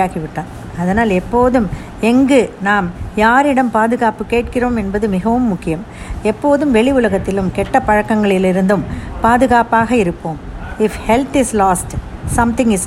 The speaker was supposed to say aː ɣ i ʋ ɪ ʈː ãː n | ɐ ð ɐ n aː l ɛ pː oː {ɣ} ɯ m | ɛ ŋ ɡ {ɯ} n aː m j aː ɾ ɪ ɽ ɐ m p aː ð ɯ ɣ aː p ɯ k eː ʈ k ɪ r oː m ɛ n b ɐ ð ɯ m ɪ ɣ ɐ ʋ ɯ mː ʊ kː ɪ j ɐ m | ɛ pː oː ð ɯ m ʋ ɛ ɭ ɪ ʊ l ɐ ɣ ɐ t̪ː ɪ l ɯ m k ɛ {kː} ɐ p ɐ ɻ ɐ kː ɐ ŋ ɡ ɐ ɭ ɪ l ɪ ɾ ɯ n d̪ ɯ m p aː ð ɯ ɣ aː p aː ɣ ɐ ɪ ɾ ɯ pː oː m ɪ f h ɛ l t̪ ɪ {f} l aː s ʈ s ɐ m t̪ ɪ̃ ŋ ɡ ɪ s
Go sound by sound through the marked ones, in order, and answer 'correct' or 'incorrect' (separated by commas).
incorrect, correct, incorrect, incorrect